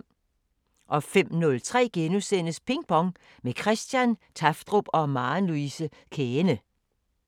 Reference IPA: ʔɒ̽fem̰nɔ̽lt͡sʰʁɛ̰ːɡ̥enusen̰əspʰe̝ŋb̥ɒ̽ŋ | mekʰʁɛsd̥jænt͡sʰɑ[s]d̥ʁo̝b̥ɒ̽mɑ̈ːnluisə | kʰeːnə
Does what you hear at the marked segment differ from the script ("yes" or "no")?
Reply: yes